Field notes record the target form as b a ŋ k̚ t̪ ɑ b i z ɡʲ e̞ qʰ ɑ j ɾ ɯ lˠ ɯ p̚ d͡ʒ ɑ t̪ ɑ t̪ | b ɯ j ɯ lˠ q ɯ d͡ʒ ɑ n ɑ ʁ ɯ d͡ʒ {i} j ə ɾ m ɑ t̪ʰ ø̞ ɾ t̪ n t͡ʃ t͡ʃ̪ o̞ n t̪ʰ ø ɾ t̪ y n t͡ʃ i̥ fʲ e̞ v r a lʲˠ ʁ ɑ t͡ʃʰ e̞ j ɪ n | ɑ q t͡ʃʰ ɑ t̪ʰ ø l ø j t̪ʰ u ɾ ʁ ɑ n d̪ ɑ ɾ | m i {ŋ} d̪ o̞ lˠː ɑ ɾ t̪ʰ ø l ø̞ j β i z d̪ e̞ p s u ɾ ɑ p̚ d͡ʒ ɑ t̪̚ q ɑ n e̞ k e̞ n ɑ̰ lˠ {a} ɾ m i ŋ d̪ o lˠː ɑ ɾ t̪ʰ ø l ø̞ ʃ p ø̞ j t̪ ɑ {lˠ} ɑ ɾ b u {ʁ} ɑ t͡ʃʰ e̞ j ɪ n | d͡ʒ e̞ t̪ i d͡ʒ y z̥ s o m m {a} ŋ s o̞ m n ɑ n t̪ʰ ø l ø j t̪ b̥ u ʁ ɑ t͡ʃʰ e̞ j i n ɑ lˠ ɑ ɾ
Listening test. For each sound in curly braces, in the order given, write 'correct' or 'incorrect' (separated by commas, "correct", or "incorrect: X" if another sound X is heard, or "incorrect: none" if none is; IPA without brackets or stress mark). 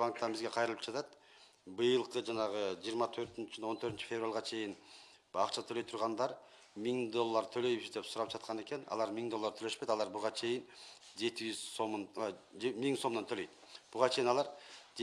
correct, correct, incorrect: ɑ, correct, correct, incorrect: i